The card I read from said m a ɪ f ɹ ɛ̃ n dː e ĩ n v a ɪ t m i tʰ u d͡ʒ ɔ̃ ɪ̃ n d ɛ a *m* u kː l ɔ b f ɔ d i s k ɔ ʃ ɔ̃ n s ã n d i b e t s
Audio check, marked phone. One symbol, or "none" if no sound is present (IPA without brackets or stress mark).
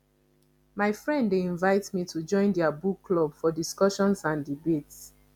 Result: b